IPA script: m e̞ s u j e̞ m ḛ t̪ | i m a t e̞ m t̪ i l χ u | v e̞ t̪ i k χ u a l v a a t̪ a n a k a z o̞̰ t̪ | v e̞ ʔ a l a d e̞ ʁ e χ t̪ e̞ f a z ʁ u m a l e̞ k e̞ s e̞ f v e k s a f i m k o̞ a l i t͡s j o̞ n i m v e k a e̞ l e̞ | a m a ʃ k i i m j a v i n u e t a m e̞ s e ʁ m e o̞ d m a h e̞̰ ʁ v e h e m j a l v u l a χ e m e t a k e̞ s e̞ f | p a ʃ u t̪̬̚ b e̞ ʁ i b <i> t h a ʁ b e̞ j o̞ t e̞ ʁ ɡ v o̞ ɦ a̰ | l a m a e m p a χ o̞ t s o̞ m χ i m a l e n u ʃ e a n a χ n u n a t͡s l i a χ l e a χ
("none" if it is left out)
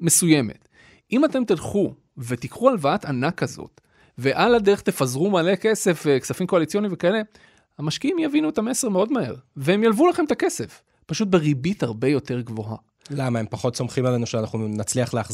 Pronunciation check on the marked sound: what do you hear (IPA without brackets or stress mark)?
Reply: i